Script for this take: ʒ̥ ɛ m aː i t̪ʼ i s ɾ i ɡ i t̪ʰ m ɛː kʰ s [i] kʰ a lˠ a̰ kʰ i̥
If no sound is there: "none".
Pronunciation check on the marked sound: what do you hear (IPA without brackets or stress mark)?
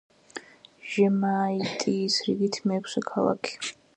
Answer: ɛ